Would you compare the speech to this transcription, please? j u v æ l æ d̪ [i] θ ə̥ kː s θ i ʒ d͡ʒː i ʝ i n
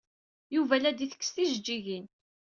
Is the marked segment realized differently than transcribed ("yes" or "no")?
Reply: no